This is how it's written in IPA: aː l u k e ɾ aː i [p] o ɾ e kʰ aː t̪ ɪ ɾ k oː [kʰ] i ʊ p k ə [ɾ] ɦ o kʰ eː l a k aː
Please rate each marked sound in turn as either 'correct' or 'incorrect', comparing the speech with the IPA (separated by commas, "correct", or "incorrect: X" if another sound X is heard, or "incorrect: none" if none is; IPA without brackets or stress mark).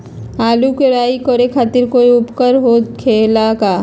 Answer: incorrect: k, incorrect: none, correct